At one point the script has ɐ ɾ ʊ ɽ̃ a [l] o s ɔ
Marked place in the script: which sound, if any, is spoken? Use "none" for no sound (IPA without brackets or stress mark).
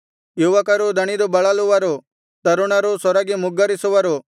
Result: ɾ